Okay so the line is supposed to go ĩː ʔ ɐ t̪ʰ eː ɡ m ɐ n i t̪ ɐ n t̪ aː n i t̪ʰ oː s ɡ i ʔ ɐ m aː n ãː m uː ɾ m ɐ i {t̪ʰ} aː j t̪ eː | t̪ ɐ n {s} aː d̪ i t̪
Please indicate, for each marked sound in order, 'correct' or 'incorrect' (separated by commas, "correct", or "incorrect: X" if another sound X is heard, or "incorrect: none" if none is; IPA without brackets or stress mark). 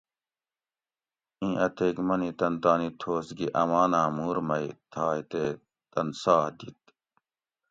correct, correct